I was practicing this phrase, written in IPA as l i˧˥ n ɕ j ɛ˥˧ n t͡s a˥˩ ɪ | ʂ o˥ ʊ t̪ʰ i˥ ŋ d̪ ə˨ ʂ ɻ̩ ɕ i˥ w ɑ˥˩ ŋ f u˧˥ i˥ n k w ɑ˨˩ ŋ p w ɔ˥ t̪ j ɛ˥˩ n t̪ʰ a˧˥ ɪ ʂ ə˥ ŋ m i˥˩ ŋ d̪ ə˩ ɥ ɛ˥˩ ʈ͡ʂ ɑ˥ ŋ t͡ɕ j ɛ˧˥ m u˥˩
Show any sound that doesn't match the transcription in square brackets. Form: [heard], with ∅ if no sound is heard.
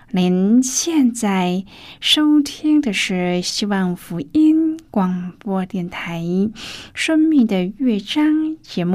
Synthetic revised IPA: l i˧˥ n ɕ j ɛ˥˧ n t͡s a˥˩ ɪ | ʂ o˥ ʊ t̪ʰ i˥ ŋ d̪ ə˨ ʂ ɻ̩ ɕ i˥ w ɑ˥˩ ŋ f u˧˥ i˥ n k w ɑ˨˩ ŋ p w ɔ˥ t̪ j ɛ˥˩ n t̪ʰ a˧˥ ɪ ʂ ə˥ ŋ m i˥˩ ŋ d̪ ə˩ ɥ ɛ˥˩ ʈ͡ʂ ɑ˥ ŋ t͡ɕ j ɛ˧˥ m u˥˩